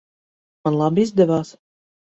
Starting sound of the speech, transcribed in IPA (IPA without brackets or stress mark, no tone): m